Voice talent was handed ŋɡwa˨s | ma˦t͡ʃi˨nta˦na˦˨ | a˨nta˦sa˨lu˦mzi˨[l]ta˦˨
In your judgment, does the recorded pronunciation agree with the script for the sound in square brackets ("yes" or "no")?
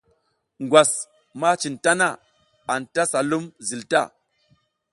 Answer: yes